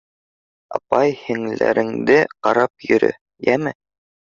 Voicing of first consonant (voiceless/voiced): voiceless